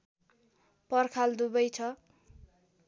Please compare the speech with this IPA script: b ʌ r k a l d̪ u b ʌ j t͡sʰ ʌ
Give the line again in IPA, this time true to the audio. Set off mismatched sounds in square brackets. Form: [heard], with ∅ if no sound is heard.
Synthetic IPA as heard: [p] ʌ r [kʰ] a l d̪ u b ʌ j t͡sʰ ʌ